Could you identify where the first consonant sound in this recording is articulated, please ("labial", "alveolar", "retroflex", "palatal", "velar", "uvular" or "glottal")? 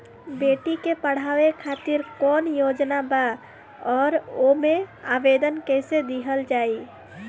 labial